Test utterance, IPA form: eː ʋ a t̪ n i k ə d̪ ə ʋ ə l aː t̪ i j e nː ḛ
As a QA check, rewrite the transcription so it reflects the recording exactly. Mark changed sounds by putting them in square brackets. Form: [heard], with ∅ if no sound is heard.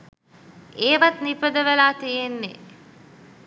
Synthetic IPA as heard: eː ʋ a t̪ n i [p] ə d̪ ə ʋ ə l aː t̪ i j e nː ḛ